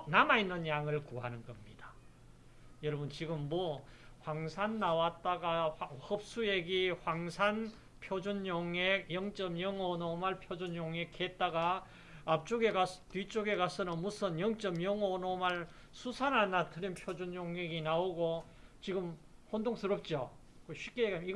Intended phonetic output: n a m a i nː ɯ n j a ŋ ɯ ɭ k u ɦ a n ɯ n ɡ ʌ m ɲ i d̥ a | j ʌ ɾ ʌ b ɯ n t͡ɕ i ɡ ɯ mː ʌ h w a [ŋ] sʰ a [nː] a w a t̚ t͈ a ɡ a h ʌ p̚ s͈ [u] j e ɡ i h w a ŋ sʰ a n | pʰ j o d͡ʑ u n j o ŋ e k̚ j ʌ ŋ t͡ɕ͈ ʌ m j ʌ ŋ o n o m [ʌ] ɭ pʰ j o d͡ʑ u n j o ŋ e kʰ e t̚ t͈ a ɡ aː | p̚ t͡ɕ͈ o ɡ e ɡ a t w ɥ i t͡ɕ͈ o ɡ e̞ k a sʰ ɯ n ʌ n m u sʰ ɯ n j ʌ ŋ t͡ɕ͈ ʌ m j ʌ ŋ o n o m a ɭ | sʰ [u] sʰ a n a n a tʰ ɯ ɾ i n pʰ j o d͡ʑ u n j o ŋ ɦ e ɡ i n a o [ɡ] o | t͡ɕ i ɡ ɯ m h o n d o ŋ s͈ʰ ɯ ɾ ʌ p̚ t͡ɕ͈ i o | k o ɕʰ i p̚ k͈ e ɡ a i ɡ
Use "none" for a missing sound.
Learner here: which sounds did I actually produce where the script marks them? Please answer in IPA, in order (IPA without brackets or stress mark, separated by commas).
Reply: ŋ, nː, u, a, u, ɡ